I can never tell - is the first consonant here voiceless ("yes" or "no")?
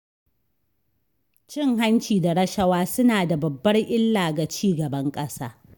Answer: yes